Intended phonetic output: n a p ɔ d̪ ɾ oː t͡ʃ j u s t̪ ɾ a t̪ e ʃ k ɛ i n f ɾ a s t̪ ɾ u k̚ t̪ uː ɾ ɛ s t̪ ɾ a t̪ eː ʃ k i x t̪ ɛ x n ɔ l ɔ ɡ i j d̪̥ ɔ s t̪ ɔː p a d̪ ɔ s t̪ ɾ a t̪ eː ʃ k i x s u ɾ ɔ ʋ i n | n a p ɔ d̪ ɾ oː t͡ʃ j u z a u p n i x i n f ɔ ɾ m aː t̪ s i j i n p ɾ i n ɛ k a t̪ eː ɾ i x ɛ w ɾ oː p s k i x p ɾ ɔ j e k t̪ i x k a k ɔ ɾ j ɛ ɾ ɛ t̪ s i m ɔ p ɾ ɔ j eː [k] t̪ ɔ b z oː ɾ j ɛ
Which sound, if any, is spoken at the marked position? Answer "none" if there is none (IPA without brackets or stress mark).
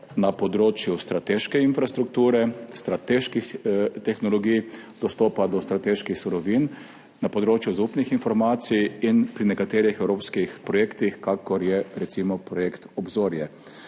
k